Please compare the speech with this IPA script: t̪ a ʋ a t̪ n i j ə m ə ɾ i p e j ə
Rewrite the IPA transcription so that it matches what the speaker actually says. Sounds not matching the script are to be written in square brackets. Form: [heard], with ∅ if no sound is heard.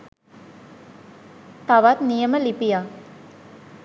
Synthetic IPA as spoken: t̪ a ʋ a t̪ n i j ə m ə [l] i p [i] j [a]